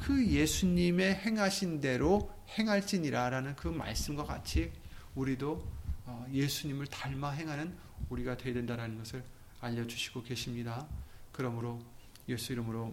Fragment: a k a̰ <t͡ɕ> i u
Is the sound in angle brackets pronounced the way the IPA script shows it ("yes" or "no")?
no